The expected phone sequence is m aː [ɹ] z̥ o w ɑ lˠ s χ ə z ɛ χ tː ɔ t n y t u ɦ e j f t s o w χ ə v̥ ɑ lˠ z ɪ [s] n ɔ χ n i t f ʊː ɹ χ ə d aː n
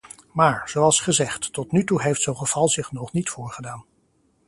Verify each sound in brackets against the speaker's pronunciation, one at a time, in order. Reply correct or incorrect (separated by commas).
correct, incorrect